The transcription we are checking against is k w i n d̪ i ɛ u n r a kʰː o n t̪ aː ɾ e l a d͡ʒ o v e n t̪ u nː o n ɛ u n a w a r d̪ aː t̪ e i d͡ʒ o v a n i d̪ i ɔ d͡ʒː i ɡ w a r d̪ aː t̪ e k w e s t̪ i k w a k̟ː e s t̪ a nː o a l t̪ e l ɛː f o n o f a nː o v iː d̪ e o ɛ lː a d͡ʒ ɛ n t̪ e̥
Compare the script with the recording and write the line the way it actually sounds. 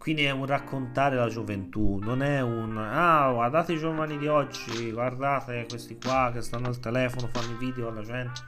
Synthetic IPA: k w i n d̪ i ɛ u n r a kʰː o n t̪ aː ɾ e l a d͡ʒ o v e n t̪ u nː o n ɛ u n a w a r d̪ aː t̪ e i d͡ʒ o v a n i d̪ i ɔ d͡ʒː i ɡ w a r d̪ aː t̪ e k w e s t̪ i k w a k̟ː e s t̪ a nː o a l t̪ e l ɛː f o n o f a nː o v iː d̪ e o a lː a d͡ʒ ɛ n t̪ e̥